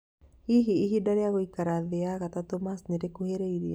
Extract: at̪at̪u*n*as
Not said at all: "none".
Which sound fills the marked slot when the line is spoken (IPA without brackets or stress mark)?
m